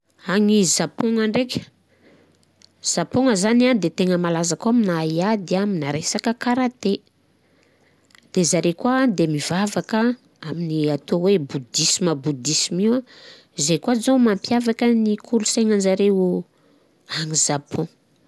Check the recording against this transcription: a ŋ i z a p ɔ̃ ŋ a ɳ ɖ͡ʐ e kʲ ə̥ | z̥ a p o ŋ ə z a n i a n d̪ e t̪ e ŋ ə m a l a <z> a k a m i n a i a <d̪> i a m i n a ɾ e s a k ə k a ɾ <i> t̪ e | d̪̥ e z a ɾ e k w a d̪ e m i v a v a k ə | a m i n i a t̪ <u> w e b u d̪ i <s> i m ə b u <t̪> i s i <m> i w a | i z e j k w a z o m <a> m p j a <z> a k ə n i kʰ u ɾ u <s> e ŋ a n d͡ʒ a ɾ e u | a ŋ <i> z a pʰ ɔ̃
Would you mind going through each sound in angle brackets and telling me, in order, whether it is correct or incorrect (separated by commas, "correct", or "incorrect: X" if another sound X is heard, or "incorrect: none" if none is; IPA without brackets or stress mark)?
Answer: correct, correct, incorrect: a, incorrect: o, correct, incorrect: d̪, correct, correct, incorrect: v, correct, correct